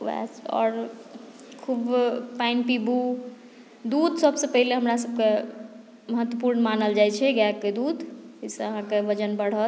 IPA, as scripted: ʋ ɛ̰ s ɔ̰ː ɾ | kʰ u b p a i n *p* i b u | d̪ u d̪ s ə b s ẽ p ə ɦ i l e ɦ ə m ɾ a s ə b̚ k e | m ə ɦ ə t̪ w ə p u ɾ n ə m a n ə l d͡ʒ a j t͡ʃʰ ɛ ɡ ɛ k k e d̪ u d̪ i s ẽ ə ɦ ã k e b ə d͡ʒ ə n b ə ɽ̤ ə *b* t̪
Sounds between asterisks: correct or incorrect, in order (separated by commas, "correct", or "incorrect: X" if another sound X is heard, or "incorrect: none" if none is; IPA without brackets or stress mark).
correct, incorrect: none